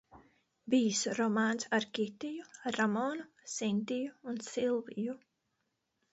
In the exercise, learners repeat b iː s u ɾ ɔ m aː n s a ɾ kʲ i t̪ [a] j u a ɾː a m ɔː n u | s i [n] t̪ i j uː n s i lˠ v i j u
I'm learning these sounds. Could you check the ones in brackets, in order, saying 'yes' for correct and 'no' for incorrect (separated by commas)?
no, yes